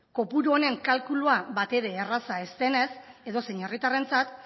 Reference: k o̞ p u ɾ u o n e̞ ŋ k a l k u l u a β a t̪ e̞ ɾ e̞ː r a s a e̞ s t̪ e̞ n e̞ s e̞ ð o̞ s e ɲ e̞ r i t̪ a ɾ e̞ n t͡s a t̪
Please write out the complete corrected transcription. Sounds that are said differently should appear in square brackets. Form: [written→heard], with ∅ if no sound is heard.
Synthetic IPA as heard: k o̞ p u ɾ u o n e̞ ŋ k a l k u l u a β a t̪ e̞ ɾ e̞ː r a s a e̞ s t̪ e̞ n e̞ s e̞ ð o̞ s e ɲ e̞ r i t̪ a [ɾ→r] e̞ n t͡s a t̪